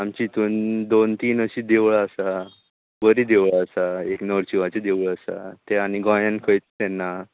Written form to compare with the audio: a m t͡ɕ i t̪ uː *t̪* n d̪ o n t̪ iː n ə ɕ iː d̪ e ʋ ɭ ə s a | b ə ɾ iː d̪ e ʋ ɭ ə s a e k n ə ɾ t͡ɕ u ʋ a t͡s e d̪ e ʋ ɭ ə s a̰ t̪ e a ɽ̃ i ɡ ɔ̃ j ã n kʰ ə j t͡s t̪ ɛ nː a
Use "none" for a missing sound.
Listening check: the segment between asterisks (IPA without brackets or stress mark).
none